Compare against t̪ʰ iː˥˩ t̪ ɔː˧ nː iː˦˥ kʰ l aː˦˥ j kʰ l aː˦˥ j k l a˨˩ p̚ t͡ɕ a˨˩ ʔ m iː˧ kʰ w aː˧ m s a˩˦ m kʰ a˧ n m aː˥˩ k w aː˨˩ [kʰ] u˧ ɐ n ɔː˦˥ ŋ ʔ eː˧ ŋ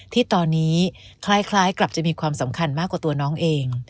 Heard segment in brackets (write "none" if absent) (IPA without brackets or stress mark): none